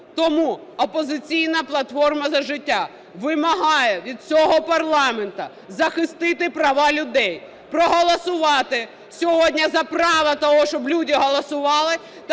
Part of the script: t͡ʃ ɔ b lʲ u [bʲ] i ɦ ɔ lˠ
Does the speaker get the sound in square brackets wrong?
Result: yes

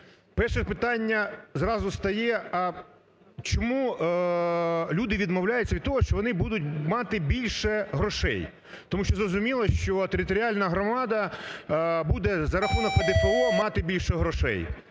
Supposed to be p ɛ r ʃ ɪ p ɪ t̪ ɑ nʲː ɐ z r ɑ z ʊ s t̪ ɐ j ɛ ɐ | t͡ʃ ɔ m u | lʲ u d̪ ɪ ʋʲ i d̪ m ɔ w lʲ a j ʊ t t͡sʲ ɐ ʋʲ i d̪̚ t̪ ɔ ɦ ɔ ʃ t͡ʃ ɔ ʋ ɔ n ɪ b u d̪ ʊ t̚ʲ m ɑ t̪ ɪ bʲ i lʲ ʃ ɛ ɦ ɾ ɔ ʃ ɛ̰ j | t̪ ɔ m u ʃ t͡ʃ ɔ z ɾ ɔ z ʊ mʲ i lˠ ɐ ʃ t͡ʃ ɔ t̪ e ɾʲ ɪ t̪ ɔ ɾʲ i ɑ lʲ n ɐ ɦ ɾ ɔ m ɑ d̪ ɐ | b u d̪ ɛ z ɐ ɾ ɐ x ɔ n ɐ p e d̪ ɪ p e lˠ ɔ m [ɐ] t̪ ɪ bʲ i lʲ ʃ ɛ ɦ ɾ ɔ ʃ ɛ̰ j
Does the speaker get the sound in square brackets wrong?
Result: yes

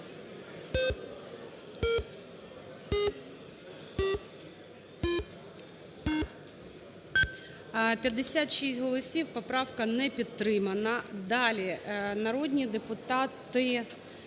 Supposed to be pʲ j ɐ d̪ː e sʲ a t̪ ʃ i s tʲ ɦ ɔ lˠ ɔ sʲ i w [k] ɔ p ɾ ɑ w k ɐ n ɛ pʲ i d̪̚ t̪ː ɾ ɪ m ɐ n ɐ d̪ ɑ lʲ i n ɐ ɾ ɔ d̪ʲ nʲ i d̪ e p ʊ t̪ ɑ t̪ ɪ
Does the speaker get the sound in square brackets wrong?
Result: yes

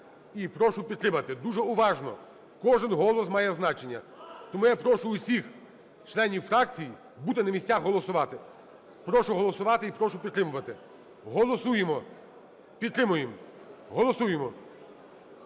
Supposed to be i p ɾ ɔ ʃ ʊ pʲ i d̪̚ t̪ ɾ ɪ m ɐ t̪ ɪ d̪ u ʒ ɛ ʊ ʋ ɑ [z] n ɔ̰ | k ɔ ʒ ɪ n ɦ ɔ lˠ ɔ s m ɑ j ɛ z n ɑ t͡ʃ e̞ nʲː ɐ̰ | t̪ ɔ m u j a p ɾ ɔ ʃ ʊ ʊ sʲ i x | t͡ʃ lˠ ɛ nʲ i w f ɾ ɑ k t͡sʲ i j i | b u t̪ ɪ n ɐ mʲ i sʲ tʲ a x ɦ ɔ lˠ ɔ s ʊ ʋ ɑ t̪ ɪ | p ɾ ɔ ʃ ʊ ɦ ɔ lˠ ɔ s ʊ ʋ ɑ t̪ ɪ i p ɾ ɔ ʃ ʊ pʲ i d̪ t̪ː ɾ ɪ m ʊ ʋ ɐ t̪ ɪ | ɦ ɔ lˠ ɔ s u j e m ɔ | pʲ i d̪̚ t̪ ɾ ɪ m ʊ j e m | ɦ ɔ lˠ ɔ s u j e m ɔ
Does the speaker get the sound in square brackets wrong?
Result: yes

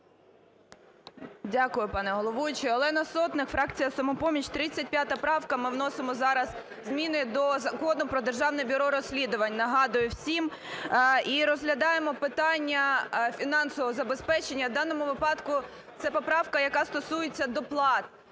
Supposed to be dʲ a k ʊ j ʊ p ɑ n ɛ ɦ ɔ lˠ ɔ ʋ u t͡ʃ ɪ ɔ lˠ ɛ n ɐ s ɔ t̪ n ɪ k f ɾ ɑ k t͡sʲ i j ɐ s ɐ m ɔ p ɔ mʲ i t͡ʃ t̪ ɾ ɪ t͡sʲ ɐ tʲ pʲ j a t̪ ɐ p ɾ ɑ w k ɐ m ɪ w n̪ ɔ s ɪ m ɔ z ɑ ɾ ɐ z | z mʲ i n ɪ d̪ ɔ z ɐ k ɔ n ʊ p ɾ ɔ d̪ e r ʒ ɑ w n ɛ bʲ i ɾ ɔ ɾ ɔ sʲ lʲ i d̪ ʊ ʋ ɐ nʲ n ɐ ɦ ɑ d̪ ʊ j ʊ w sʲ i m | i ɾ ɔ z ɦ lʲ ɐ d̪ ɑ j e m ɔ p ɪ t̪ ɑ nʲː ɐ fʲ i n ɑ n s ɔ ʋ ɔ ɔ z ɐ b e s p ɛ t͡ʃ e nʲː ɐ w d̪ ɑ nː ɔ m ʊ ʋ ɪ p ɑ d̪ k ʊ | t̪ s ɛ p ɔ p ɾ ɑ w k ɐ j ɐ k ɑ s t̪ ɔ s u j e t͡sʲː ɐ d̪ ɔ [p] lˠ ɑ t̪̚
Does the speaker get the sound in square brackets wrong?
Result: no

